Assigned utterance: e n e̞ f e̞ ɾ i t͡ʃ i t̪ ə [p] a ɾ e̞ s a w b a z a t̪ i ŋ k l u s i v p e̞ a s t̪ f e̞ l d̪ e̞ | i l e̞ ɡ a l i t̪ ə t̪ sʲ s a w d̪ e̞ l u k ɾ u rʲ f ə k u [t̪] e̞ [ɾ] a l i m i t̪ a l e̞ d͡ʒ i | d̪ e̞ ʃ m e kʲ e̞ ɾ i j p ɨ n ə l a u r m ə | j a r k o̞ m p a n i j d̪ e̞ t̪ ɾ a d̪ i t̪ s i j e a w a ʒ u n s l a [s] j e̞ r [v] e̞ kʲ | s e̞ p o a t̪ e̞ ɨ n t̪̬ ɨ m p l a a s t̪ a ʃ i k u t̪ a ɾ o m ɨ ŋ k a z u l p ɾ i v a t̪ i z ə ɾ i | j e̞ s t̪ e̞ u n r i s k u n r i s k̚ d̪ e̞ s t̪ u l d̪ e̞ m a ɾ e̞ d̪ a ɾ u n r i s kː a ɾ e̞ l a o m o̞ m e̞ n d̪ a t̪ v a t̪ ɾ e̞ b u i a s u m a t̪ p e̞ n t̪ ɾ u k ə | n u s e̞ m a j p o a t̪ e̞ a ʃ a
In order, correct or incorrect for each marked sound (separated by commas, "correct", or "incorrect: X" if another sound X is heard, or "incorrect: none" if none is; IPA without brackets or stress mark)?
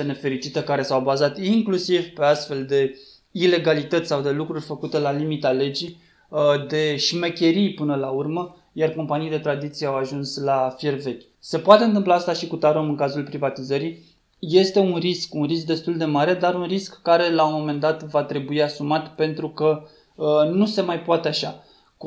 incorrect: k, correct, incorrect: l, incorrect: f, correct